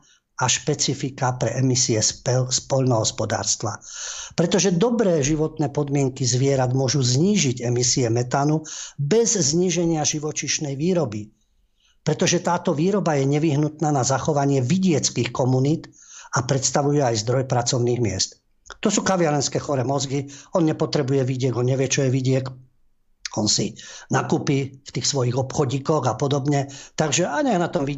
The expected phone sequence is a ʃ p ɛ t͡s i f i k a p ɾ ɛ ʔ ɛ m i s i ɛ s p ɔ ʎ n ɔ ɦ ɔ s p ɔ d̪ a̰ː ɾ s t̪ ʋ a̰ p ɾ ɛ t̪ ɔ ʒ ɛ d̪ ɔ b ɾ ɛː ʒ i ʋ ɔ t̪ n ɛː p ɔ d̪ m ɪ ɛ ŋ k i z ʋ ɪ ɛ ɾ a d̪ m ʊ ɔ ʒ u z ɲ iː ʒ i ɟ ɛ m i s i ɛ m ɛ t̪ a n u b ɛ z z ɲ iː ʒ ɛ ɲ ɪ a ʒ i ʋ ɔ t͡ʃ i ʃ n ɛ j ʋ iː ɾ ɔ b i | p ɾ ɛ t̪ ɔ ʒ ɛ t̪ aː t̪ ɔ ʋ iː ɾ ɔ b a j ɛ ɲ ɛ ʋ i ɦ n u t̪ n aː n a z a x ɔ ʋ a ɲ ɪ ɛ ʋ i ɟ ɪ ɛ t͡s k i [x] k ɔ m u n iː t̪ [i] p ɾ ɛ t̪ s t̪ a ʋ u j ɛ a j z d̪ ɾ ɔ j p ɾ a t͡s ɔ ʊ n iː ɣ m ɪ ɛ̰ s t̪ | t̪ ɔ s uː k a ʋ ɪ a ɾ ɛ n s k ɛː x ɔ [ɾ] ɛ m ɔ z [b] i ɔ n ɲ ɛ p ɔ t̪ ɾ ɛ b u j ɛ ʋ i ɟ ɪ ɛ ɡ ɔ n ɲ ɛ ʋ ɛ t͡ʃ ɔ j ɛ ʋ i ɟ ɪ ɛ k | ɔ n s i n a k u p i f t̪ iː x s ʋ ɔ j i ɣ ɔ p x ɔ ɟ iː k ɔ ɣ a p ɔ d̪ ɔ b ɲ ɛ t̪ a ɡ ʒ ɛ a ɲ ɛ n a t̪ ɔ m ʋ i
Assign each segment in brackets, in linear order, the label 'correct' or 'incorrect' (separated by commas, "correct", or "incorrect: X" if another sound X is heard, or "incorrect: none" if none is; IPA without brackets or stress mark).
correct, incorrect: a, correct, incorrect: ɡ